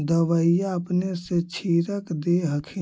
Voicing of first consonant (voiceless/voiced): voiced